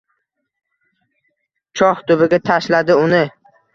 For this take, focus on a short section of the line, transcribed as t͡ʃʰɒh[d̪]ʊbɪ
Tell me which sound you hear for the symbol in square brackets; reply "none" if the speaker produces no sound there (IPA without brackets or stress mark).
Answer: t̪